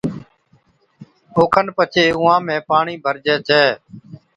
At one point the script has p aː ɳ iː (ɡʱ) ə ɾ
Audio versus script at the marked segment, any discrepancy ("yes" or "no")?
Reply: yes